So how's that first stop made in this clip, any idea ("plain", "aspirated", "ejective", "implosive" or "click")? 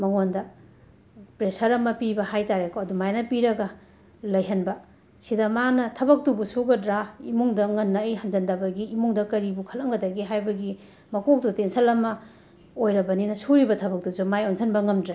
plain